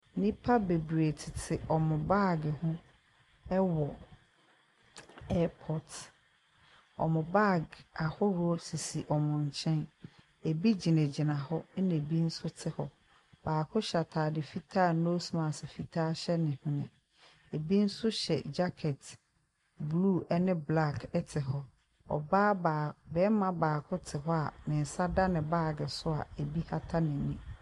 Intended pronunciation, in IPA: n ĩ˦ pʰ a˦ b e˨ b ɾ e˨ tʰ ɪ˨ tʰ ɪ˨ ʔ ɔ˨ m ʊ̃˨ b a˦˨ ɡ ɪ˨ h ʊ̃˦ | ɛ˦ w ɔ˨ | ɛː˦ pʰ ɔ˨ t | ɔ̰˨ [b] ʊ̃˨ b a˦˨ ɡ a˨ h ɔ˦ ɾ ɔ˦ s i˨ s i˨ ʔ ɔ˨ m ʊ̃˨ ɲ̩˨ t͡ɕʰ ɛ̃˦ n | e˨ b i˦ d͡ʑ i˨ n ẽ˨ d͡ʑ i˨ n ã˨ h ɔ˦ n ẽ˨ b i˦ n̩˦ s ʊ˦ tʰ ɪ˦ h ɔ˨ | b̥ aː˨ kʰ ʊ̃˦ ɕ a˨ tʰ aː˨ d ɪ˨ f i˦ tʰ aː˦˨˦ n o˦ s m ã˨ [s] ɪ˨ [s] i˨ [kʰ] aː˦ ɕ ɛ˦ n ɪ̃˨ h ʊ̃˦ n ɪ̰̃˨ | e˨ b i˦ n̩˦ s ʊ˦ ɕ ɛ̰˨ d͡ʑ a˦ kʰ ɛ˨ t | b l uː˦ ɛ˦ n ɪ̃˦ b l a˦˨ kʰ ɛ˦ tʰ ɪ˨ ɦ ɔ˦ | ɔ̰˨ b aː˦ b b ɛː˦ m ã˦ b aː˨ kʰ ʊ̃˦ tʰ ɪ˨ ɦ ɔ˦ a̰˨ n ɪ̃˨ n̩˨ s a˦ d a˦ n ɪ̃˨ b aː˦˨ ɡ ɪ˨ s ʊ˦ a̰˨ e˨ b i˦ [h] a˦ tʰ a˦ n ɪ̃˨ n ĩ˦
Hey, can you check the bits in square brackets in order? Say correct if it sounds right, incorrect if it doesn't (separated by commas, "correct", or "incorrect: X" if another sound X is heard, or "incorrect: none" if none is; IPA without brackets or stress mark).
incorrect: m, correct, incorrect: f, incorrect: tʰ, correct